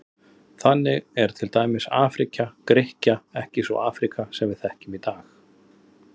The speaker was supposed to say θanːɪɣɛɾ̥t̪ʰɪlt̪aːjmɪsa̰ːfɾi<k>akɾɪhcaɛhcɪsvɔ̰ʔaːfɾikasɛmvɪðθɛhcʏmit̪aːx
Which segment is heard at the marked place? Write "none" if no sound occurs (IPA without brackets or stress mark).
c